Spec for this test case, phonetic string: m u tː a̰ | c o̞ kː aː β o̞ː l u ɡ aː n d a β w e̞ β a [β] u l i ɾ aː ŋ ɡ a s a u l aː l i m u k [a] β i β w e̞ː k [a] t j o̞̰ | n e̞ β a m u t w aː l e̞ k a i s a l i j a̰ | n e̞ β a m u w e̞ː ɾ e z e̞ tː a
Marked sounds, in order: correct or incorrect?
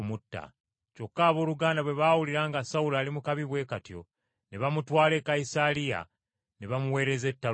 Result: incorrect, correct, correct

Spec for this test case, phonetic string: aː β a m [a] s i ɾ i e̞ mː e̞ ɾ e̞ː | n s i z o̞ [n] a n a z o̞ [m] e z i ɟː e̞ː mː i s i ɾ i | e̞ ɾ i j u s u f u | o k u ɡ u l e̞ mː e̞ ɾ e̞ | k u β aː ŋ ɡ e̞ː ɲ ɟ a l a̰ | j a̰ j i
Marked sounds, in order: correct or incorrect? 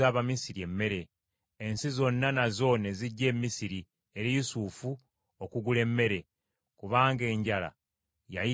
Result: incorrect, incorrect, incorrect

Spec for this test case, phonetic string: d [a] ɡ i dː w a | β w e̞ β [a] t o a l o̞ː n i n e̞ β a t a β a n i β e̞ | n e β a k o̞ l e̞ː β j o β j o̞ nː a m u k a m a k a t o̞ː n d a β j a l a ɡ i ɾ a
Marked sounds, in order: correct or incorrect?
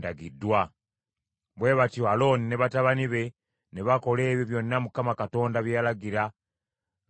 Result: correct, correct

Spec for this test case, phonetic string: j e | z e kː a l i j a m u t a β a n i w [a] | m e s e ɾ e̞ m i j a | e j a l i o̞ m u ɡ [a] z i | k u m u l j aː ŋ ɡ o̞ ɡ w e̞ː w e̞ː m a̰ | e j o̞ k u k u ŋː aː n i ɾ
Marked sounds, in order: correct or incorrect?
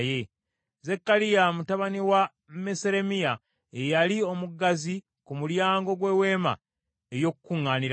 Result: correct, correct

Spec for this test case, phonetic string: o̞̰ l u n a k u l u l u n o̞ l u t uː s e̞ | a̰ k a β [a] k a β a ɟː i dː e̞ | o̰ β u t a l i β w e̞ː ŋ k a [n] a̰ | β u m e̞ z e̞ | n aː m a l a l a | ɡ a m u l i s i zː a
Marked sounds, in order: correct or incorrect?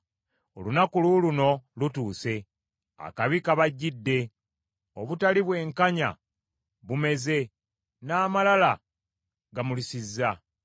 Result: incorrect, incorrect

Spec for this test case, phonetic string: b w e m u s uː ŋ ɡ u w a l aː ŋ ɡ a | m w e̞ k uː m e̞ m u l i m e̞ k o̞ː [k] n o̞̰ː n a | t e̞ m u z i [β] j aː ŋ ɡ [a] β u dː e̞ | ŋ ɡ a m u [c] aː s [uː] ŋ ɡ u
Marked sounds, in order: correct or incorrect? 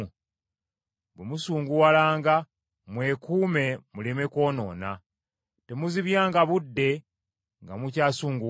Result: incorrect, correct, correct, correct, correct

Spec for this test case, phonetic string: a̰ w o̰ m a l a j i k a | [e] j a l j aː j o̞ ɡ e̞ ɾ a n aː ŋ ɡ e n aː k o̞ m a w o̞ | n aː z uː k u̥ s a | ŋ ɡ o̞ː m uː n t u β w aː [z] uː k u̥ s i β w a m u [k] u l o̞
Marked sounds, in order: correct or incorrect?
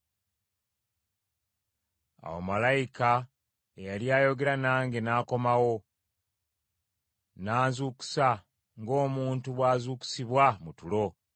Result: correct, correct, incorrect

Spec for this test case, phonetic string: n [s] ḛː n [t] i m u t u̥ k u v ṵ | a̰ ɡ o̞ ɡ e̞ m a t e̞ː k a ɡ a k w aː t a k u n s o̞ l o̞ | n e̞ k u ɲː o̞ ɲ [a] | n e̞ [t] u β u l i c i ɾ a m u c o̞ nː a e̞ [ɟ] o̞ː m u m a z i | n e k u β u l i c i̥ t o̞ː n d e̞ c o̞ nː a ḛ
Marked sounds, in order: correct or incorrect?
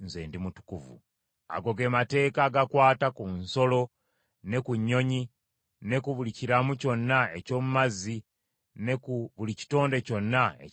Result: incorrect, incorrect, incorrect, incorrect, incorrect

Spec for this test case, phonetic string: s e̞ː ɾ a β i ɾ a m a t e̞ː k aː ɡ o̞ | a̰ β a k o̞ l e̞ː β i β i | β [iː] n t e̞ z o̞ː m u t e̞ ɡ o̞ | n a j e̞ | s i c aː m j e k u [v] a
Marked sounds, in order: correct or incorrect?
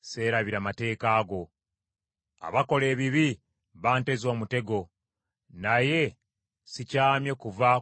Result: incorrect, correct

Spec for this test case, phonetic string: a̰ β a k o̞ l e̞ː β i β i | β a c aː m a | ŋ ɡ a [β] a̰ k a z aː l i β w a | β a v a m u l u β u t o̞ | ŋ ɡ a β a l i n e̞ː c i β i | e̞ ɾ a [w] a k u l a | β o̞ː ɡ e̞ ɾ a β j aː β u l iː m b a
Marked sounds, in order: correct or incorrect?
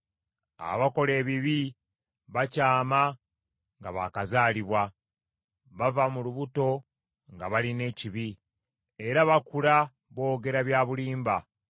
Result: correct, incorrect

